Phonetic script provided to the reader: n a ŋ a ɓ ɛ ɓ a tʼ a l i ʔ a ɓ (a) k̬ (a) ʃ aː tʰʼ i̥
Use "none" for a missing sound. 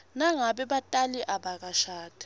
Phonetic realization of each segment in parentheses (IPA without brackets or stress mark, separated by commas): a, a